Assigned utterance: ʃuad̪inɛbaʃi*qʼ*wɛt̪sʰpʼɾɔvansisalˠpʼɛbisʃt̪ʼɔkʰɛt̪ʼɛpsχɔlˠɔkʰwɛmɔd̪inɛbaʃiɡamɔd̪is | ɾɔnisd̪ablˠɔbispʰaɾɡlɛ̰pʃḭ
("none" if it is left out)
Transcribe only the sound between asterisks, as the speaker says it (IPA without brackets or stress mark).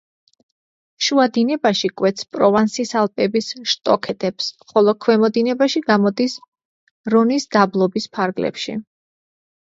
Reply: kʼ